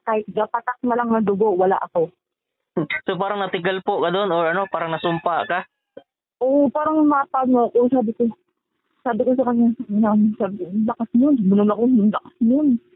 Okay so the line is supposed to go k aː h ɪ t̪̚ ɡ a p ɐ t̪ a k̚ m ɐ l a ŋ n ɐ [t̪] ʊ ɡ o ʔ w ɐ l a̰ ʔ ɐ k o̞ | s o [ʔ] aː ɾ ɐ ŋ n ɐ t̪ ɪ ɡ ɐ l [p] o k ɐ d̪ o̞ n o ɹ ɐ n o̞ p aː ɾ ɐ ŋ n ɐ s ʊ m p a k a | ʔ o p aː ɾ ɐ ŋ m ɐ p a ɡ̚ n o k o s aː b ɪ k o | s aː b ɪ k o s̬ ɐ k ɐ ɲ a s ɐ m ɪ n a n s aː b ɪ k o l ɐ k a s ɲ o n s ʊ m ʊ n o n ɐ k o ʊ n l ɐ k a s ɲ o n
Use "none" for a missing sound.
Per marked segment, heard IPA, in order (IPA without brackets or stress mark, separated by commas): d̪, p, p